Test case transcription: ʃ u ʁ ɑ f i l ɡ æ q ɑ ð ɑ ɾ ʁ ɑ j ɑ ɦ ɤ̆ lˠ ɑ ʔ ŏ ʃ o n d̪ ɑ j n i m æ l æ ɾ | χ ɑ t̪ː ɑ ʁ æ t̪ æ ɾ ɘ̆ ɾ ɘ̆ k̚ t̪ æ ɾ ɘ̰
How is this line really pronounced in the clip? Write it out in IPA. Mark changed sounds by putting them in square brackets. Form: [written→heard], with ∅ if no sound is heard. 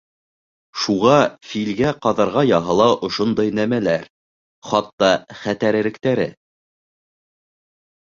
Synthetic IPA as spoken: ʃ u ʁ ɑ f i l ɡ æ q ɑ ð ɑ ɾ ʁ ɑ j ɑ ɦ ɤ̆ lˠ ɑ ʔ ŏ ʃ o n d̪ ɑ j n [i→æ] m æ l æ ɾ | χ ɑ t̪ː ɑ [ʁ→χ] æ t̪ æ ɾ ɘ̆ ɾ ɘ̆ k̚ t̪ æ ɾ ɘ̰